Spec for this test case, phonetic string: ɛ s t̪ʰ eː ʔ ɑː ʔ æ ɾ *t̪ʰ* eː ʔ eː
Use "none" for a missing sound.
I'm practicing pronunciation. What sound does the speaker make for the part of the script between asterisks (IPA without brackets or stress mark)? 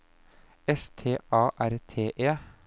t̪ʰ